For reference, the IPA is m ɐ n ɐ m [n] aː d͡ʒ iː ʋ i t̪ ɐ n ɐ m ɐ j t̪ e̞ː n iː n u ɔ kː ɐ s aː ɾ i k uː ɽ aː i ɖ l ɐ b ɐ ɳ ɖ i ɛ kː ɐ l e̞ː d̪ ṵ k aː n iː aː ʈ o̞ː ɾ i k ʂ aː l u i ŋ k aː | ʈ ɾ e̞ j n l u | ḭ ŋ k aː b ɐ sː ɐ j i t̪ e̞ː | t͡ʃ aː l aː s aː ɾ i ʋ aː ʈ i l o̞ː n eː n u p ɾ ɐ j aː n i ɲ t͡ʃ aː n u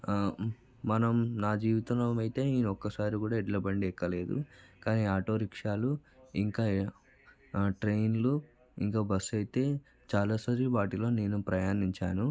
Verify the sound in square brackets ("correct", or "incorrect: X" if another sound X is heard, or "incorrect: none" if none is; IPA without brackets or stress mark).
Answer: correct